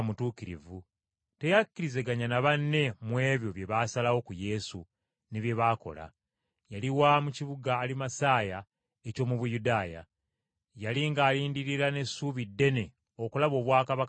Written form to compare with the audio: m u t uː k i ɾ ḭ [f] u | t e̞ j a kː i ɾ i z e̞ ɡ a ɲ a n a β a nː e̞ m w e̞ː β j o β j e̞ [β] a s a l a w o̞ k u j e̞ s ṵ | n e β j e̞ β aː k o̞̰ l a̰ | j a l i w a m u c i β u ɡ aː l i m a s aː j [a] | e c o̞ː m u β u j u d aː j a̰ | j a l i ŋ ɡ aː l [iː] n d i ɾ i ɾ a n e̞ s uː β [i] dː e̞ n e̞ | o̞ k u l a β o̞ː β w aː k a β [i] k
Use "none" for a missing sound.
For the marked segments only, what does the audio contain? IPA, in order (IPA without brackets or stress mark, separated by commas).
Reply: v, β, a, iː, i, a